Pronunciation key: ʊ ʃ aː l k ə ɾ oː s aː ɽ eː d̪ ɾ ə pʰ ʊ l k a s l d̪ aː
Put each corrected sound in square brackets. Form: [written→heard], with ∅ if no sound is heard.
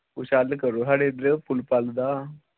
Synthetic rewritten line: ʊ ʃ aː l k ə ɾ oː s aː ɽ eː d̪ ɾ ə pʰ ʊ l [k→p] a [s→∅] l d̪ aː